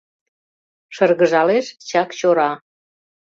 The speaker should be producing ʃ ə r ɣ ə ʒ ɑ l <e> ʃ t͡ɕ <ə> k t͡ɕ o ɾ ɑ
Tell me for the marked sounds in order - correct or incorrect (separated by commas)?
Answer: correct, incorrect